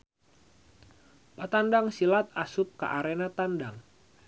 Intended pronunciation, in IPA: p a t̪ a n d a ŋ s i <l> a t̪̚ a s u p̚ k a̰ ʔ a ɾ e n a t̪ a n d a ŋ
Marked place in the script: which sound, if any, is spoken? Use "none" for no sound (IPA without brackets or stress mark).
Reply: l